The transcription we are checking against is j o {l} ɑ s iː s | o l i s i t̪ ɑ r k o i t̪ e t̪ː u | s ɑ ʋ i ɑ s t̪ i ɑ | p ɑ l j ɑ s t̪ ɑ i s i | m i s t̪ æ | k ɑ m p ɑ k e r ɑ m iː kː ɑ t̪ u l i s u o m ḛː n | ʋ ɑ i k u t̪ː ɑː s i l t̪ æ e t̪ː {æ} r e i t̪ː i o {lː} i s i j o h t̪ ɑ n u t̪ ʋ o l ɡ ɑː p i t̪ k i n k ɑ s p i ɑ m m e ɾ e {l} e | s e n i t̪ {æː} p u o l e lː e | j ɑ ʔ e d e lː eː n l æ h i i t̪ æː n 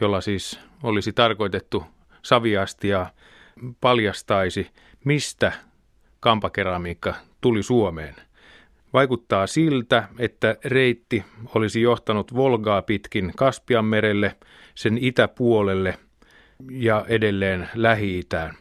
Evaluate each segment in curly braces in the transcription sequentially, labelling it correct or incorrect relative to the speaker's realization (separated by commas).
incorrect, correct, incorrect, incorrect, incorrect